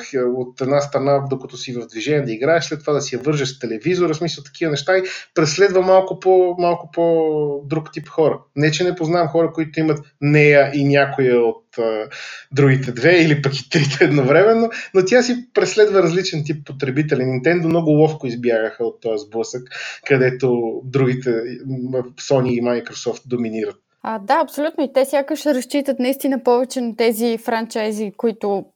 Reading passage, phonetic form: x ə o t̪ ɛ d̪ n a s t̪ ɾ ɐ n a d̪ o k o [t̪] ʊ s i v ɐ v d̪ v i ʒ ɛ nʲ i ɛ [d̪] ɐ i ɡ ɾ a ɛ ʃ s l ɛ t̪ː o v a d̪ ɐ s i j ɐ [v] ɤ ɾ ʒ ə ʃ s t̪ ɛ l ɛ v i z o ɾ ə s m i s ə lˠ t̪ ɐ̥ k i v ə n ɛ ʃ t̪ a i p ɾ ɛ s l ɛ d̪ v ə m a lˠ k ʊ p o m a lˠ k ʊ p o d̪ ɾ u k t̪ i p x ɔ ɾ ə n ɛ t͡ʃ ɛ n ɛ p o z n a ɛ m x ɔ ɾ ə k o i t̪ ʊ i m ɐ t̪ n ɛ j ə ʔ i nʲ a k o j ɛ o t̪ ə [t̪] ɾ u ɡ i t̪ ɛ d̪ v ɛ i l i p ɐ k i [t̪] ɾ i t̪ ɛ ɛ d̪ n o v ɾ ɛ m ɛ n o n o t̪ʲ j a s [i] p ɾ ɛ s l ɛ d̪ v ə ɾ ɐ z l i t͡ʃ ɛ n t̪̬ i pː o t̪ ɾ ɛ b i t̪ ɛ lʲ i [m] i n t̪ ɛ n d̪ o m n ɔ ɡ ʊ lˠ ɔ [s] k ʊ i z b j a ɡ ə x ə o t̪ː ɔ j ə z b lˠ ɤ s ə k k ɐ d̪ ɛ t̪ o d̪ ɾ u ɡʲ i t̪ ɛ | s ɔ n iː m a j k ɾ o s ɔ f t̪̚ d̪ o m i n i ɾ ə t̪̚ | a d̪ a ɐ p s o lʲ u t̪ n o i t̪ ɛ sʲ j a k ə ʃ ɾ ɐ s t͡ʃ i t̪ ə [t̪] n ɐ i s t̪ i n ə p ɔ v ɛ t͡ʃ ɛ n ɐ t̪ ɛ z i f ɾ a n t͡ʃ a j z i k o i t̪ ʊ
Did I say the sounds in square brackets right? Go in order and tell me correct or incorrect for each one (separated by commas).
correct, correct, correct, incorrect, correct, correct, incorrect, incorrect, correct